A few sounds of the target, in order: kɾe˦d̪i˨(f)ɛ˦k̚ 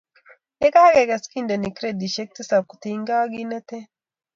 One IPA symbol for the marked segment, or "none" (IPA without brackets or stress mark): ʃ